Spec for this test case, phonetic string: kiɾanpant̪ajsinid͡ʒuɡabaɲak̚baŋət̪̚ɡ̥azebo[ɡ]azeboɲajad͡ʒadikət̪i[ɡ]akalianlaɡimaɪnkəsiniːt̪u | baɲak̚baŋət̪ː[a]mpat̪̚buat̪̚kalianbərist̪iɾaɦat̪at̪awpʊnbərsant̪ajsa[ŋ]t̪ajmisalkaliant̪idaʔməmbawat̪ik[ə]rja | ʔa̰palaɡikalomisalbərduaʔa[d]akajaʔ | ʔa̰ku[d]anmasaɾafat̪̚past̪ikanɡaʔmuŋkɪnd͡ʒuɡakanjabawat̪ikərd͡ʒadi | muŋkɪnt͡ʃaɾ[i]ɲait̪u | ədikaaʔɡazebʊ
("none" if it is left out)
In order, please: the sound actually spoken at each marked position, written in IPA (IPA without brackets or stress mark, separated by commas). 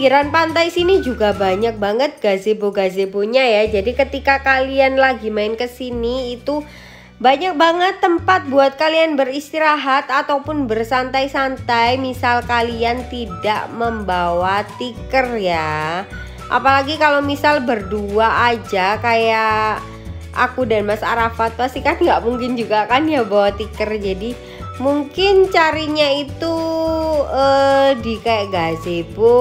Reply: ɡ, k, ə, n, ə, d͡ʒ, d, i